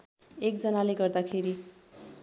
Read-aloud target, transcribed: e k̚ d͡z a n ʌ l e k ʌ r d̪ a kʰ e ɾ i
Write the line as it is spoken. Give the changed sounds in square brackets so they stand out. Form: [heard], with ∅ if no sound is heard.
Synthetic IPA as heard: e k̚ d͡z [ʌ] n [a] l e [ɡ] ʌ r d̪ a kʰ e ɾ i

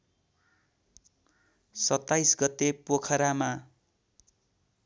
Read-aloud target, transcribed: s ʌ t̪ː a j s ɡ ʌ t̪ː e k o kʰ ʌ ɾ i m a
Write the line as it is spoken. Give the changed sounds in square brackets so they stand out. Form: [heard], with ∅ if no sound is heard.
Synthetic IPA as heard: s ʌ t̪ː a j s ɡ ʌ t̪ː e [p] o kʰ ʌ ɾ [a] m a

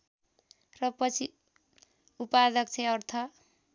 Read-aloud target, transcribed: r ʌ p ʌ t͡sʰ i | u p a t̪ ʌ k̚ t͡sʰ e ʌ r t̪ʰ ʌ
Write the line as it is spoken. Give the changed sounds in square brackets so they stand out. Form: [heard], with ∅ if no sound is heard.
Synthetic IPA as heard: r ʌ p ʌ t͡sʰ i | u p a [d̪] ʌ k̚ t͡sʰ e ʌ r t̪ʰ ʌ

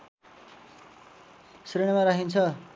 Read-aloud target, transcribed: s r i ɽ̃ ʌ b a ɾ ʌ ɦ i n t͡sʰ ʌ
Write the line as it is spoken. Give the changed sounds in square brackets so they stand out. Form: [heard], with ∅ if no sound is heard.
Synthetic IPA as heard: s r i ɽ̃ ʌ [m] a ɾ [a] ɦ i n t͡sʰ ʌ

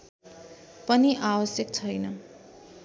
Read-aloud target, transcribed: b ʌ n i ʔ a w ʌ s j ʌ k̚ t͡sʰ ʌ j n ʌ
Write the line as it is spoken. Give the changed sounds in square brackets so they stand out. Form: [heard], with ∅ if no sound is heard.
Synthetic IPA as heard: [p] ʌ n i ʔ a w ʌ s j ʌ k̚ t͡sʰ ʌ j n ʌ

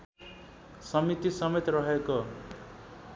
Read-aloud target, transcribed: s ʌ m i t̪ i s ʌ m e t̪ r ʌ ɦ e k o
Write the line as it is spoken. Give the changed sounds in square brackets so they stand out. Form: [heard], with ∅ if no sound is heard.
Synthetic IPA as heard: s ʌ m i t̪ i s ʌ m e t̪ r ʌ ɦ e k o

